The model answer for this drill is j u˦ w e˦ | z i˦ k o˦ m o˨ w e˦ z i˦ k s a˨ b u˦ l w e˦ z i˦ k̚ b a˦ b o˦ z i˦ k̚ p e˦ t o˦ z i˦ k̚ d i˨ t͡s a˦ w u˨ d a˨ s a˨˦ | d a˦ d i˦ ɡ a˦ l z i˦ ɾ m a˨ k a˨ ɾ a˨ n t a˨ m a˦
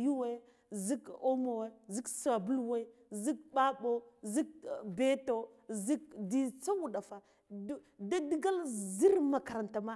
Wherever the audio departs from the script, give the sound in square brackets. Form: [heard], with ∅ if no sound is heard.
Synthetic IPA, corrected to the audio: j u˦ w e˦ | z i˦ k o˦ m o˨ w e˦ z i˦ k s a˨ b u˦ l w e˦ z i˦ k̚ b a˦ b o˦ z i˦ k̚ [b] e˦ t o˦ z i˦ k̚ d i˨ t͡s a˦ w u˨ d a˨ [f] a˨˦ | d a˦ d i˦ ɡ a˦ l z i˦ ɾ m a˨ k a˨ ɾ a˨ n t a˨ m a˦